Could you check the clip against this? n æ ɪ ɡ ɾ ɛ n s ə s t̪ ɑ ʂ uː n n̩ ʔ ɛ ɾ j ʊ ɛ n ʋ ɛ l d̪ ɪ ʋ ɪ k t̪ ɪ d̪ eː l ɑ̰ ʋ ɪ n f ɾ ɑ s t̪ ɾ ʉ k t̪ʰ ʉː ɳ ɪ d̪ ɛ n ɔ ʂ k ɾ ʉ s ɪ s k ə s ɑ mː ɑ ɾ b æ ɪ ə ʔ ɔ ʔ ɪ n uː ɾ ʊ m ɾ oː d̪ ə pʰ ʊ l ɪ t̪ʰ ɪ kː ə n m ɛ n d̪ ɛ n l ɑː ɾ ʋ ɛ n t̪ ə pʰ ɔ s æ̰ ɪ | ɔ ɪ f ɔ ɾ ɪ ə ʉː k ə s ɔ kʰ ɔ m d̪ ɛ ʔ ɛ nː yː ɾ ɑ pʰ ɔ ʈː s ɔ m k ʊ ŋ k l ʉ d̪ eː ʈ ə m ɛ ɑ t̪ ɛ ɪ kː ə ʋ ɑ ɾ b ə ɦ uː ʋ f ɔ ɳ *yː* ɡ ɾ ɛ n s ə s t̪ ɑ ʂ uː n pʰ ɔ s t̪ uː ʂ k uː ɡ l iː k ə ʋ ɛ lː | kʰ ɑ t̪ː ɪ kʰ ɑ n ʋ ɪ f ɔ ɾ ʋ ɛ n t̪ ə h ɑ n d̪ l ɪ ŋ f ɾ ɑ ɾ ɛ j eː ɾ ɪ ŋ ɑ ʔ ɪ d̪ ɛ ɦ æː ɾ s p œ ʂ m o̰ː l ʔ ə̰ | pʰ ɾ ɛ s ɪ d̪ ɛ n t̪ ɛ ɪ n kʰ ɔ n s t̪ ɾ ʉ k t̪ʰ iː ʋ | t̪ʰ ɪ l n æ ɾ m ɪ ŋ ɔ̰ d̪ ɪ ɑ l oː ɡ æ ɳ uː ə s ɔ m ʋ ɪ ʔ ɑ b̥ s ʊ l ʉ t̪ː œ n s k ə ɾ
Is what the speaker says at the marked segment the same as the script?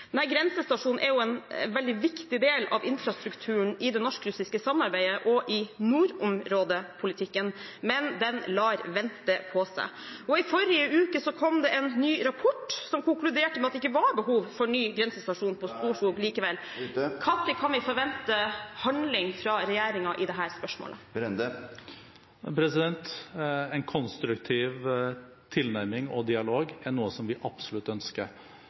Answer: yes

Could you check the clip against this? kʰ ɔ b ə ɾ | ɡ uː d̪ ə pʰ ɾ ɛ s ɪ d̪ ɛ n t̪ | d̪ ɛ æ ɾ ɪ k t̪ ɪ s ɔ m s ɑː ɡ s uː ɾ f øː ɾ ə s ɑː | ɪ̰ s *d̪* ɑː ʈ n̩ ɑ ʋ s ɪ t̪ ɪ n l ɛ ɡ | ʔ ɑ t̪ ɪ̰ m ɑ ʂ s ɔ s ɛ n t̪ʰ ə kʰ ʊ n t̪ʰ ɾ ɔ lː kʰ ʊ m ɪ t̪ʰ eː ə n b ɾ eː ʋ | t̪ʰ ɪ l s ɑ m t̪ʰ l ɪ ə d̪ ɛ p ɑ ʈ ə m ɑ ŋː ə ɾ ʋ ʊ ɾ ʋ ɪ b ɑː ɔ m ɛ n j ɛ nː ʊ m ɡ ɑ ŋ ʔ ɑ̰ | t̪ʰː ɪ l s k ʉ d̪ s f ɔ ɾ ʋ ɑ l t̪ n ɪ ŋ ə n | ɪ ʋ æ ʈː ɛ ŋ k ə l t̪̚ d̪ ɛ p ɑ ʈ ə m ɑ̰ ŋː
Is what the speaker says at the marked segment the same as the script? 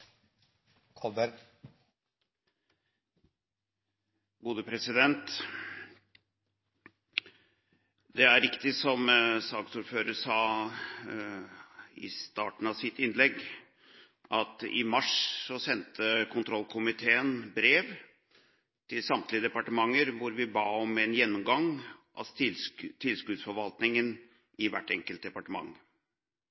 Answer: no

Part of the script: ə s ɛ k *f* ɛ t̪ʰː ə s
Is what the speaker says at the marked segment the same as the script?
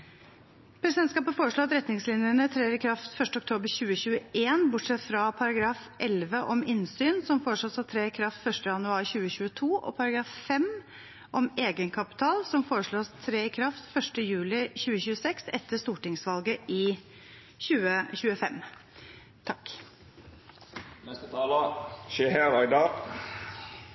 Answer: no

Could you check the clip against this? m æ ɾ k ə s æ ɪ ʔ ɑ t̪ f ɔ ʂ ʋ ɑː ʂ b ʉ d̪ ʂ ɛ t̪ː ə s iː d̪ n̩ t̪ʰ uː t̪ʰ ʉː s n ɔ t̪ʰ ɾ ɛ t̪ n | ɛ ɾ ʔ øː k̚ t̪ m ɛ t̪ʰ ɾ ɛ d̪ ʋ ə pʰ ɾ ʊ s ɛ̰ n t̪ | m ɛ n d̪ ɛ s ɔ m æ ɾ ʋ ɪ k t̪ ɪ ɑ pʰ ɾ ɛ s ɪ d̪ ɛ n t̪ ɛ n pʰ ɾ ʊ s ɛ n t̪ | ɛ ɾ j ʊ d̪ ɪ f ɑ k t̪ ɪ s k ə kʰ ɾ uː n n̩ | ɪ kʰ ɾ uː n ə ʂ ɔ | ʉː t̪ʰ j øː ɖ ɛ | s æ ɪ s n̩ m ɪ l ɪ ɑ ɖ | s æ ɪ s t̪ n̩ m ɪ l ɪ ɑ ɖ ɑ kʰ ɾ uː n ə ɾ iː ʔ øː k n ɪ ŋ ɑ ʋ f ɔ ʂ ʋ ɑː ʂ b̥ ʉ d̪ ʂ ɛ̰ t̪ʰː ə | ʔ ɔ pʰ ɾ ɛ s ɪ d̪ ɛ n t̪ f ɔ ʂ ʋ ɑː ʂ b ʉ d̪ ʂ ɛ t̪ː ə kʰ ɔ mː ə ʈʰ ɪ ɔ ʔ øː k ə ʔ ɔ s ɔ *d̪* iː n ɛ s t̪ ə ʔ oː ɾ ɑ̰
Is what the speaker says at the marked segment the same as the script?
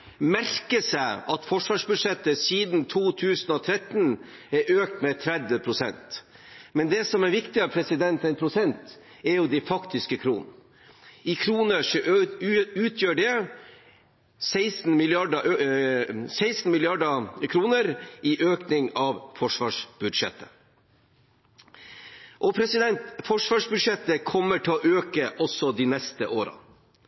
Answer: yes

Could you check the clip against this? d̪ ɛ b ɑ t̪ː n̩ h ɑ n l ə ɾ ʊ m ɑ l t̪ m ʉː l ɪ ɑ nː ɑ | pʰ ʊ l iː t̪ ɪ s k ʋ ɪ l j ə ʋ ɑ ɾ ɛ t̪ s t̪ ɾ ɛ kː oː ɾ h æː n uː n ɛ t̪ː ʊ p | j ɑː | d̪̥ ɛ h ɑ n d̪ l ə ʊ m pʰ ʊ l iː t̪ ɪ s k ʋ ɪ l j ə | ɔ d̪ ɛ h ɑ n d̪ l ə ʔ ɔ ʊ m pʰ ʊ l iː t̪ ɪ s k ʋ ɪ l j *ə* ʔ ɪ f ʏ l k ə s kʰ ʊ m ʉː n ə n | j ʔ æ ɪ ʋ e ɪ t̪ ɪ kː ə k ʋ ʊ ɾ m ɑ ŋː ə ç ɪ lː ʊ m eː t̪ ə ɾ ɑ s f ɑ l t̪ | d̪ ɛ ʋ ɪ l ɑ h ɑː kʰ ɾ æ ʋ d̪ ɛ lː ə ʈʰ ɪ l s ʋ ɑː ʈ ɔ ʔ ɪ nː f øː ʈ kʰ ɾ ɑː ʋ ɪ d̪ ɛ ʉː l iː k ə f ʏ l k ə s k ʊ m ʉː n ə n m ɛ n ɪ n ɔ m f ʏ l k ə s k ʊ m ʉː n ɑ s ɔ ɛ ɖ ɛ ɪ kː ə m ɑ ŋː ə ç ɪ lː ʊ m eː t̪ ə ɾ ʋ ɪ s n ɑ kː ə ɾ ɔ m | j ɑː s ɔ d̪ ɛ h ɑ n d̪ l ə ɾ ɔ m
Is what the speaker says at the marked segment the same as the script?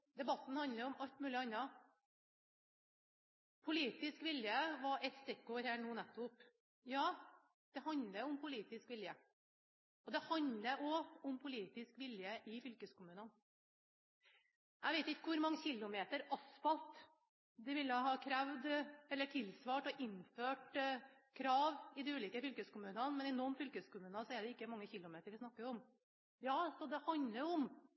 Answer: yes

